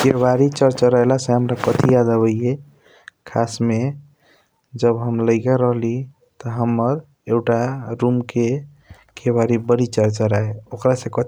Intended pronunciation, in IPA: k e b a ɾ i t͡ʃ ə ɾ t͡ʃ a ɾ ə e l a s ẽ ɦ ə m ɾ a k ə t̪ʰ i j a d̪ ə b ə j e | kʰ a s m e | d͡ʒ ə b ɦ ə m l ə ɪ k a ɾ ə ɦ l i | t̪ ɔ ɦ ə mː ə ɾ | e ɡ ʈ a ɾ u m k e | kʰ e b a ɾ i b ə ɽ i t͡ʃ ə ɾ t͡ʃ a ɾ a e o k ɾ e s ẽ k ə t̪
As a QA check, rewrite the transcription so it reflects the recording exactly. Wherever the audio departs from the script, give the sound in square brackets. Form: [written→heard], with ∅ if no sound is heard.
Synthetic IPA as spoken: k e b a ɾ i t͡ʃ ə ɾ t͡ʃ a ɾ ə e l a s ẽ ɦ ə m ɾ a k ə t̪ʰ i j a d̪ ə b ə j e | kʰ a s m e | d͡ʒ ə b ɦ ə m l ə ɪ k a ɾ ə ɦ l i | t̪ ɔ ɦ ə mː ə ɾ | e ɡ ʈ a ɾ u m k e | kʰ e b a ɾ i b ə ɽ i t͡ʃ ə ɾ t͡ʃ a ɾ a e o k ɾ [e→a] s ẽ k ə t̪